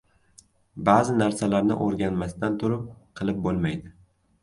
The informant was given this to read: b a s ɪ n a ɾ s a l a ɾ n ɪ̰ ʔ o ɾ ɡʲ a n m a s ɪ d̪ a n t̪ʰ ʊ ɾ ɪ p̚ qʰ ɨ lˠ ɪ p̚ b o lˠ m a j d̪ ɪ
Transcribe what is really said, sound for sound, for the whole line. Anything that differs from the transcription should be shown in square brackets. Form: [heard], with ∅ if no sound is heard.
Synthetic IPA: b a [z] ɪ n a ɾ s a l a ɾ n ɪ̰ ʔ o ɾ ɡʲ a n m a s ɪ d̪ a n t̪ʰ ʊ ɾ ɪ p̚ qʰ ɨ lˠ ɪ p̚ b o lˠ m a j d̪ ɪ

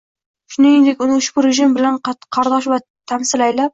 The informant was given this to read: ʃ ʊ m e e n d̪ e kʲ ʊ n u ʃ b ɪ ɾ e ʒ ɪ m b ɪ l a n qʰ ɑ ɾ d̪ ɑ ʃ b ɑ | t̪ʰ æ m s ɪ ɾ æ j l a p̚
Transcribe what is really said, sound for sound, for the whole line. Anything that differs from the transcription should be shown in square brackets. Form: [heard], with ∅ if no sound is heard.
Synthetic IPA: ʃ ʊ [n] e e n d̪ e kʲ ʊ n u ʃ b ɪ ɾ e ʒ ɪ m b ɪ l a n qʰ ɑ ɾ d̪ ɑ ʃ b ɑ | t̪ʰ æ m s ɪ [l] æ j l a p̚

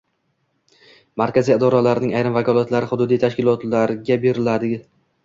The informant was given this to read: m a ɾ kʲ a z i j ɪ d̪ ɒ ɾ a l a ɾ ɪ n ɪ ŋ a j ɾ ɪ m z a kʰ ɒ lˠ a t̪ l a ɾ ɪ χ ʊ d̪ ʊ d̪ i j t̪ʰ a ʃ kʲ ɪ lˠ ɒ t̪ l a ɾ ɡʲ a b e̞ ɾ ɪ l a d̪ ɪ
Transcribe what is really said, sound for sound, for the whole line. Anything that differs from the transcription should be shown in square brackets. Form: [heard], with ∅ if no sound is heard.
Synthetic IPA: m a ɾ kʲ a z i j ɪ d̪ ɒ ɾ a l a ɾ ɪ n ɪ ŋ a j ɾ ɪ m [v] a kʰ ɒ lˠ a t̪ l a ɾ ɪ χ ʊ d̪ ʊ d̪ i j t̪ʰ a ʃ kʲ ɪ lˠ ɒ t̪ l a ɾ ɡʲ a b e̞ ɾ ɪ l a d̪ ɪ

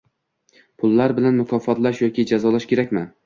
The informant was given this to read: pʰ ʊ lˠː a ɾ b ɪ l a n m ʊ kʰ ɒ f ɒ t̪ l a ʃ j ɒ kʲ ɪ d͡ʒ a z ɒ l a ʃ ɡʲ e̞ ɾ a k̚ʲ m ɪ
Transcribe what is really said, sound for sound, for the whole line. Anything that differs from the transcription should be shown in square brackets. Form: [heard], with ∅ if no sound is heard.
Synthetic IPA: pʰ ʊ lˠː a ɾ b ɪ l a n m ʊ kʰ ɒ f ɒ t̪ l a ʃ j ɒ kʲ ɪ d͡ʒ a z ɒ l a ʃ [kʲ] e̞ ɾ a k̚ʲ m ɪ

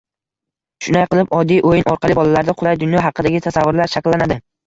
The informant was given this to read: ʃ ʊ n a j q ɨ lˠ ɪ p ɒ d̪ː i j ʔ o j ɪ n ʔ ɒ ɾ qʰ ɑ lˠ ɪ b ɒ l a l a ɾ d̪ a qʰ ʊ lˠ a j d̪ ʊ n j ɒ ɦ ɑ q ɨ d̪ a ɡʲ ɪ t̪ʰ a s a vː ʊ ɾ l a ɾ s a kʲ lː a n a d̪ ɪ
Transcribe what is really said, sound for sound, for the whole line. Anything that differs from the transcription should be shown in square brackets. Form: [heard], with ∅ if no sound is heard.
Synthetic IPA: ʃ ʊ n a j q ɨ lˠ ɪ p ɒ d̪ː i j ʔ o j ɪ n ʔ ɒ ɾ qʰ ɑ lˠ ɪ b ɒ l a l a ɾ d̪ a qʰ ʊ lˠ a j d̪ ʊ n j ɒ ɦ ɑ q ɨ d̪ a ɡʲ ɪ t̪ʰ a s a vː ʊ ɾ l a ɾ [ʃ] a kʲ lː a n a d̪ ɪ

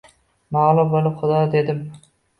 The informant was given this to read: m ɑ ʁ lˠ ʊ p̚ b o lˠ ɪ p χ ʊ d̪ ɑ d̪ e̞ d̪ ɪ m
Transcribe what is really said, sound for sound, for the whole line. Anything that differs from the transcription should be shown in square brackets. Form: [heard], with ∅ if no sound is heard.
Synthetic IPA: m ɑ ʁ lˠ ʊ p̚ b o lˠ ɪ p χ ʊ d̪ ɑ d̪ e̞ d̪ ɪ m

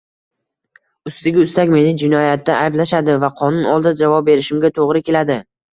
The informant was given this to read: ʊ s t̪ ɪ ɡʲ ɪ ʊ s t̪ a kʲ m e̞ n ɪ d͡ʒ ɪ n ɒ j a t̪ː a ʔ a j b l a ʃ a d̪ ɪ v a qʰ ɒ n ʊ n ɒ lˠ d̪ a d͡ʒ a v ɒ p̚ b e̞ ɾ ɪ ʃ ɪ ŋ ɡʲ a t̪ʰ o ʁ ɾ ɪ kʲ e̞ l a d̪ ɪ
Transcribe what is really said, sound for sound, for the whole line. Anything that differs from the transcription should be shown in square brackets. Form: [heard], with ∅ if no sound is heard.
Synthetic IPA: ʊ s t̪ ɪ ɡʲ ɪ ʊ s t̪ a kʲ m e̞ n ɪ d͡ʒ ɪ n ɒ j a t̪ː a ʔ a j b l a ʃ a d̪ ɪ v a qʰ ɒ n ʊ n ɒ lˠ d̪ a d͡ʒ a v ɒ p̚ b e̞ ɾ ɪ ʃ ɪ [m] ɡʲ a t̪ʰ o ʁ ɾ ɪ kʲ e̞ l a d̪ ɪ

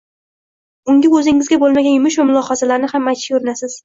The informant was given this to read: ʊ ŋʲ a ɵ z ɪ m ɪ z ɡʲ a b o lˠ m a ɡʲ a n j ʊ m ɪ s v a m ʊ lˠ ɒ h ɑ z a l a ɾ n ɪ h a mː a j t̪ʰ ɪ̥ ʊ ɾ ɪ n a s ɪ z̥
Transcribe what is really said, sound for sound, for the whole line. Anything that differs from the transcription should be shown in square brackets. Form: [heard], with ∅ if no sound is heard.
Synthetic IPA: ʊ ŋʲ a ɵ z ɪ [ŋ] ɪ z ɡʲ a b o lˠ m a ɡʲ a n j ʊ m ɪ [ʃ] v a m ʊ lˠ ɒ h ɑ z a l a ɾ n ɪ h a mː a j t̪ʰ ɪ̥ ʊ ɾ ɪ n a s ɪ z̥

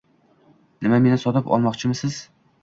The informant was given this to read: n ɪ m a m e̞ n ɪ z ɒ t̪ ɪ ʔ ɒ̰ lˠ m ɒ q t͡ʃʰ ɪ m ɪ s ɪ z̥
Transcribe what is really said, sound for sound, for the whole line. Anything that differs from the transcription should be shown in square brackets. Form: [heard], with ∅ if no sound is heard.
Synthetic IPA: n ɪ m a m e̞ n ɪ [s] ɒ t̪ ɪ [p] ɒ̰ lˠ m ɒ q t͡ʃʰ ɪ m ɪ s ɪ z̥

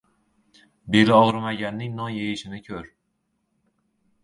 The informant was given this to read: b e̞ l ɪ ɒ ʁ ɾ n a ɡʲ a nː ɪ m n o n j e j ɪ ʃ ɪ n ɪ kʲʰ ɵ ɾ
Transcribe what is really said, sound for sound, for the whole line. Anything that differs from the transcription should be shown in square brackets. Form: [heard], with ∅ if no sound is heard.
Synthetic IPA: b e̞ l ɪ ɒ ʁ ɾ [m] a ɡʲ a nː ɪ [ŋ] n [ɒ] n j e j ɪ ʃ ɪ n ɪ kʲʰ ɵ ɾ

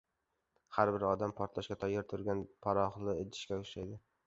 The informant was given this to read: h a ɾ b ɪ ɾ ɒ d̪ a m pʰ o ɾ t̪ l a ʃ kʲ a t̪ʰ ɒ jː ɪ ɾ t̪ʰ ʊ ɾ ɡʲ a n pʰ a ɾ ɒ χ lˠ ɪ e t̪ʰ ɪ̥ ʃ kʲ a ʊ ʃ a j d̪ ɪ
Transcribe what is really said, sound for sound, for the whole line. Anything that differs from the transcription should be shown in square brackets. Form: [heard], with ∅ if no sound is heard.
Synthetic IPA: h a ɾ b ɪ ɾ ɒ d̪ a m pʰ [ɒ] ɾ t̪ l a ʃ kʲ a t̪ʰ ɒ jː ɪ ɾ t̪ʰ ʊ ɾ ɡʲ a n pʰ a ɾ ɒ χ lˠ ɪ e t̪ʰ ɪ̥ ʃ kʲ a ʊ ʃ a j d̪ ɪ

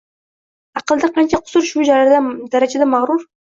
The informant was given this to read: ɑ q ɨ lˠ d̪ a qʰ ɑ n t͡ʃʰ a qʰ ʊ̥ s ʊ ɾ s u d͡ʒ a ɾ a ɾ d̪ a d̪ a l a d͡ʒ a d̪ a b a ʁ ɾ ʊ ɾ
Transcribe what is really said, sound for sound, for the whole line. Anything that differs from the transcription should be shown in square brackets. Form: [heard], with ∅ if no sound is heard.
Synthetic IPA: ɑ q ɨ lˠ d̪ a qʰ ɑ n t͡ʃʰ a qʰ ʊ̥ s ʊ ɾ [ʃ] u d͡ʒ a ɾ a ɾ d̪ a d̪ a [ɾ] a d͡ʒ a d̪ a [m] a ʁ ɾ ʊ ɾ

